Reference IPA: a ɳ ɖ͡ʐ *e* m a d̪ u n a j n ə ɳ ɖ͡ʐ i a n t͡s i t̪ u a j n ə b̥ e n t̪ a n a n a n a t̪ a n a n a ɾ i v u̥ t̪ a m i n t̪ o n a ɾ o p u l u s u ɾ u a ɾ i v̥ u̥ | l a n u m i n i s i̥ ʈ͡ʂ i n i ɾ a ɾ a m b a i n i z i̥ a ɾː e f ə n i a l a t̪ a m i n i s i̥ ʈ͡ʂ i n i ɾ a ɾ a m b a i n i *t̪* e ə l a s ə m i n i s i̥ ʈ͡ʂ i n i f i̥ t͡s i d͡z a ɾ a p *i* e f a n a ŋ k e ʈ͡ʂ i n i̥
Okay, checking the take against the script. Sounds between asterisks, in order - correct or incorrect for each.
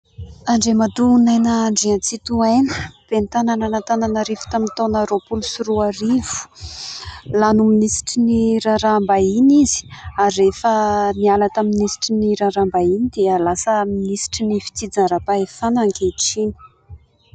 correct, incorrect: d̪, incorrect: a

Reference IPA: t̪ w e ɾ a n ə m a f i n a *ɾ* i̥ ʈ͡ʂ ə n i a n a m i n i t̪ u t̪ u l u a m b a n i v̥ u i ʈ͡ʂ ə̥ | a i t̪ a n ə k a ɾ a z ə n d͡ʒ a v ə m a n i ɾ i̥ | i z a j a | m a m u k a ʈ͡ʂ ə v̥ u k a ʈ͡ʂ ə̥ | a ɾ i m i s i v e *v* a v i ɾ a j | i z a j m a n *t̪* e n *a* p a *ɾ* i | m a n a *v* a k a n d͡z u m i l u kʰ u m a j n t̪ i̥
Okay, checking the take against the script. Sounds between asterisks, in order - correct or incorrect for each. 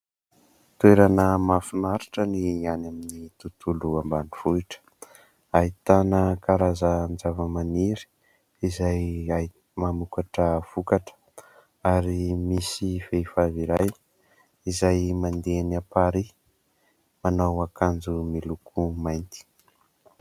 correct, incorrect: f, incorrect: d̪, correct, correct, incorrect: w

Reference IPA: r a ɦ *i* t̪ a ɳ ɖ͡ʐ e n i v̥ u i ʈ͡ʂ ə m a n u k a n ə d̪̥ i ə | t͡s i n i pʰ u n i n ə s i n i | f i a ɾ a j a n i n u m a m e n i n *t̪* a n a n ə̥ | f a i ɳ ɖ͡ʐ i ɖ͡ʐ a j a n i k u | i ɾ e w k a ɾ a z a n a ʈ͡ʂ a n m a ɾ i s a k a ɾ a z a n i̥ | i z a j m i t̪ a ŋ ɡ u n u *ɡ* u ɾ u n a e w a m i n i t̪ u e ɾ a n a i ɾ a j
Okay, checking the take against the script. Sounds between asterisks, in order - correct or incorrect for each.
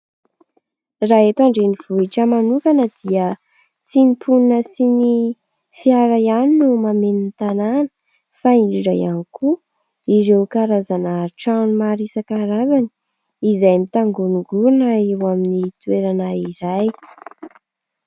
incorrect: e, correct, correct

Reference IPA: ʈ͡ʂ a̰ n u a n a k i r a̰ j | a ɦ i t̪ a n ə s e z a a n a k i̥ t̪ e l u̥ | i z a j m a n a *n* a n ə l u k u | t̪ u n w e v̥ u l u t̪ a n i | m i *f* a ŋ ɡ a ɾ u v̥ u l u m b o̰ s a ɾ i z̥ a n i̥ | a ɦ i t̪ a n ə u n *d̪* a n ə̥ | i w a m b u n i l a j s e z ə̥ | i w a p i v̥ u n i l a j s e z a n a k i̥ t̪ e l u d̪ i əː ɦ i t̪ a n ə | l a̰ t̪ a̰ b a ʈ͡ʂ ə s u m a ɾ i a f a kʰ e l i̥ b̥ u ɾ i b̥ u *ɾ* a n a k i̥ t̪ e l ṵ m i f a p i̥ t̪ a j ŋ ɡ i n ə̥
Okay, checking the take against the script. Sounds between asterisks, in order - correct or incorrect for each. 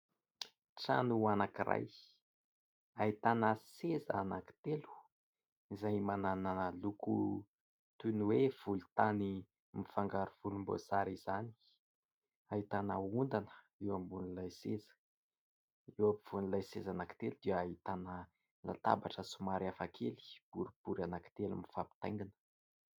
correct, correct, correct, correct

